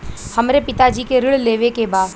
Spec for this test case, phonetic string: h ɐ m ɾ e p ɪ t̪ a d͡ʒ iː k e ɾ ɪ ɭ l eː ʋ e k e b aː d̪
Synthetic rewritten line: h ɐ m ɾ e p ɪ t̪ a d͡ʒ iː k e ɾ ɪ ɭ l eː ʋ e k e b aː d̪